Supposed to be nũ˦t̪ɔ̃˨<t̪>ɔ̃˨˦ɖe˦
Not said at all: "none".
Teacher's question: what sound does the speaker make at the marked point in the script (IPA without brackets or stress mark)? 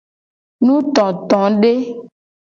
t̪